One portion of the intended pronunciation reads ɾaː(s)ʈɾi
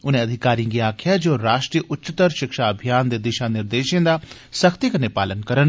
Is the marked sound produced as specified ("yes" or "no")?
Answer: no